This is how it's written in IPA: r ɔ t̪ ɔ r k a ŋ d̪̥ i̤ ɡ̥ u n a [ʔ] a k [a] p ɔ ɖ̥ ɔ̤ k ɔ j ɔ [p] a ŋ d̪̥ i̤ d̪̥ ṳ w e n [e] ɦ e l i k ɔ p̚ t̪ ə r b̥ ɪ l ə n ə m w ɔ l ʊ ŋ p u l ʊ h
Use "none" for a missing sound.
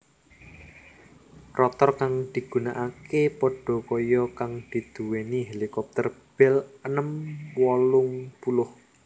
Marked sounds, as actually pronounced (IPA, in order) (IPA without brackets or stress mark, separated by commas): ʔ, e, k, i